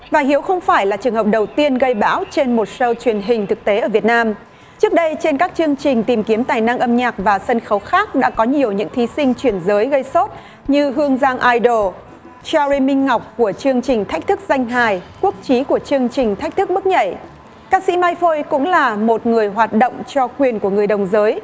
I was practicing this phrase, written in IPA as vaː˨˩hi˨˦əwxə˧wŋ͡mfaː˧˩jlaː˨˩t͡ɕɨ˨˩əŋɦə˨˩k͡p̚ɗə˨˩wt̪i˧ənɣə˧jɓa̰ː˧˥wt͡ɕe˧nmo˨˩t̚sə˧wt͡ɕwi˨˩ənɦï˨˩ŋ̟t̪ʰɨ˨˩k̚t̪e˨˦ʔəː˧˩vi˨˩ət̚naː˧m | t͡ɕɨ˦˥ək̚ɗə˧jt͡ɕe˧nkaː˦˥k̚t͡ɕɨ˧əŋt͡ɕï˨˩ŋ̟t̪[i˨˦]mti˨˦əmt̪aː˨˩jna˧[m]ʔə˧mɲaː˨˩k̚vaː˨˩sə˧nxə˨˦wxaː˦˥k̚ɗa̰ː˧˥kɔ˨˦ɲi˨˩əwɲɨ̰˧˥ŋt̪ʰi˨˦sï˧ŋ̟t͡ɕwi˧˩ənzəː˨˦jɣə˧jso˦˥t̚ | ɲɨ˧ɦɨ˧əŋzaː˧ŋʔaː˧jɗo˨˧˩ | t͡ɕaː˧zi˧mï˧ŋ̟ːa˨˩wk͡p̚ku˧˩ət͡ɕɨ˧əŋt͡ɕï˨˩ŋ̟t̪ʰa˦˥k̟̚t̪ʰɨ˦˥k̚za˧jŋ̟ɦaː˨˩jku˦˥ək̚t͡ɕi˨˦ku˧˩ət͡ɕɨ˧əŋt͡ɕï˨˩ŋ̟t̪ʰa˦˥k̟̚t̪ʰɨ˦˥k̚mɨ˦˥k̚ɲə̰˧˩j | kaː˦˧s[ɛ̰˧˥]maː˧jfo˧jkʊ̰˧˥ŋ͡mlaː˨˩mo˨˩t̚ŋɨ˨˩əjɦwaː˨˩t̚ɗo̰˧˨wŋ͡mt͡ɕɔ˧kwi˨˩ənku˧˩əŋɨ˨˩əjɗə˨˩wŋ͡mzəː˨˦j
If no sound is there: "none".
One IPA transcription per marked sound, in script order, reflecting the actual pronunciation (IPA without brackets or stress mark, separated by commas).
i˨˩, ŋ, ḭ˧˥